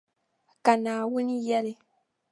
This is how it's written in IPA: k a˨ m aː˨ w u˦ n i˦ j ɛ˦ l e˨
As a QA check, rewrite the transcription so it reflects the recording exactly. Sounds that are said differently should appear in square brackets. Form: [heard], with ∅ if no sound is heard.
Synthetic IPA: k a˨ [n] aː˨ w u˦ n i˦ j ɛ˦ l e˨